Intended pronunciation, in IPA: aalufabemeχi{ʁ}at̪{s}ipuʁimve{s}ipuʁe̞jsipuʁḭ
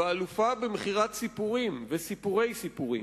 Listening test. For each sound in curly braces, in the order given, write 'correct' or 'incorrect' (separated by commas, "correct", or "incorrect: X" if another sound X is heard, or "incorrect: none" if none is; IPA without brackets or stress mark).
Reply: correct, correct, correct